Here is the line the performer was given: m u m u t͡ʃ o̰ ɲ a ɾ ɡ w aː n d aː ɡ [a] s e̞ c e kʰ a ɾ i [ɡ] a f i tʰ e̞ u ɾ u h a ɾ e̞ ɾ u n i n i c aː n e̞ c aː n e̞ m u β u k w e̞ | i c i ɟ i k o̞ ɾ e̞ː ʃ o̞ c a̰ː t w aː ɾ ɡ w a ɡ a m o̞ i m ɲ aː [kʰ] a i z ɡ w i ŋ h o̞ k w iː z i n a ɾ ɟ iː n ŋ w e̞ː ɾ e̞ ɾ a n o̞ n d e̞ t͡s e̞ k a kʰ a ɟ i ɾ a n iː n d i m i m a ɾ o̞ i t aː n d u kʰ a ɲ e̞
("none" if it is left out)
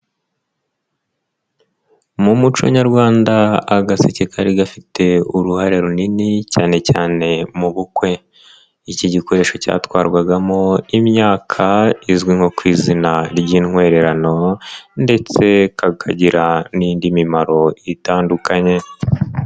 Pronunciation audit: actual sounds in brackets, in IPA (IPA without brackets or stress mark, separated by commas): a, ɡ, kʰ